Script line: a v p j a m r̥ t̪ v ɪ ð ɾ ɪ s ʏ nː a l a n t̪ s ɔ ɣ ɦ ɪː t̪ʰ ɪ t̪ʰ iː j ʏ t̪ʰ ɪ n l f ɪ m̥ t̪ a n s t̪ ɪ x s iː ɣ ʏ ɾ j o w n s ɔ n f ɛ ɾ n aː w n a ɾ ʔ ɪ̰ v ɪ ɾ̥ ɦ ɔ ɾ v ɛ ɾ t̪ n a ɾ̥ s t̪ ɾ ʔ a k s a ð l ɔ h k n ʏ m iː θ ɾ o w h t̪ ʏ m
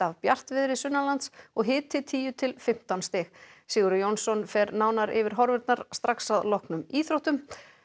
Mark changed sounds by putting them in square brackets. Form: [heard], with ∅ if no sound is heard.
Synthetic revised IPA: a v p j a [∅] r̥ t̪ v ɪ ð ɾ ɪ s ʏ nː a l a n t̪ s ɔ ɣ ɦ ɪː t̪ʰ ɪ t̪ʰ iː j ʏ t̪ʰ ɪ [∅] l f ɪ m̥ t̪ a n s t̪ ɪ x s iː ɣ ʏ ɾ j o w n s ɔ n f ɛ ɾ n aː w n a ɾ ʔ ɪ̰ v ɪ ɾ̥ ɦ ɔ ɾ v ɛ ɾ t̪ n a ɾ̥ s t̪ ɾ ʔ a k s a ð l ɔ h k n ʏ m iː θ ɾ o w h t̪ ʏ m